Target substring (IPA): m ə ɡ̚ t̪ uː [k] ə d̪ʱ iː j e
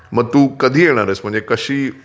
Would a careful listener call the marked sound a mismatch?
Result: no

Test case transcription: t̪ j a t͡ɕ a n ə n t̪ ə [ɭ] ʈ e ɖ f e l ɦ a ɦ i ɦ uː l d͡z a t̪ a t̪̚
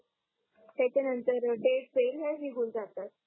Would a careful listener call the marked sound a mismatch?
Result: yes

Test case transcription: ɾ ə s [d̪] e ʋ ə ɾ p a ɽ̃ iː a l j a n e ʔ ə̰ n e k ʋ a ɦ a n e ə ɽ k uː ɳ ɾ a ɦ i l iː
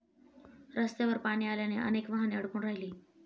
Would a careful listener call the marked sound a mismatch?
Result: yes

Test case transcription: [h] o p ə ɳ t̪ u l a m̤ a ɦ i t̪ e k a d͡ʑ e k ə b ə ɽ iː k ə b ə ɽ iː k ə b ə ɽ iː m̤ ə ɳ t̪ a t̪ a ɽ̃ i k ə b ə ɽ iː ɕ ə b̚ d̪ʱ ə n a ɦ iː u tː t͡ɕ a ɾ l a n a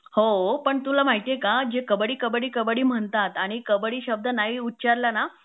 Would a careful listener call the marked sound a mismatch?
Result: no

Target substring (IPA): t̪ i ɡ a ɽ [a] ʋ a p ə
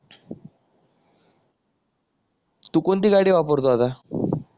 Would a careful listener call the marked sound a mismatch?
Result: yes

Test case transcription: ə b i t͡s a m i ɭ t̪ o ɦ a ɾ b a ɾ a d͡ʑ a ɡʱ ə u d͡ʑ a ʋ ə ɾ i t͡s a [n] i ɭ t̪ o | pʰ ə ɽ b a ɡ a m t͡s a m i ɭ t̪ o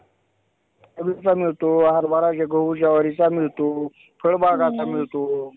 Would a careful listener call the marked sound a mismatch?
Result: yes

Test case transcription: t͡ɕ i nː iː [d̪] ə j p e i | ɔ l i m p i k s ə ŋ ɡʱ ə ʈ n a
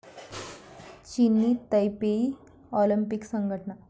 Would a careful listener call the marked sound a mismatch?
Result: yes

